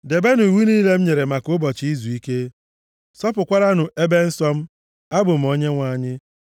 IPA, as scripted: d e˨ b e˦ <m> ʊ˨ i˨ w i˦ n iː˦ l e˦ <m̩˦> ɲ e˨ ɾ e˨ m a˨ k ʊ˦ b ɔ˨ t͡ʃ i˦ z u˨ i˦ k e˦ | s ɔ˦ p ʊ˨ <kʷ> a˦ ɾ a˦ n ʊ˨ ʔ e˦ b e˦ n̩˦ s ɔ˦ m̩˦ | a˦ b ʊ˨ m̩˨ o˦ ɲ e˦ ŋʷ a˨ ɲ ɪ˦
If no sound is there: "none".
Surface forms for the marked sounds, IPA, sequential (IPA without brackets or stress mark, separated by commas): n, m̩˦, kʷ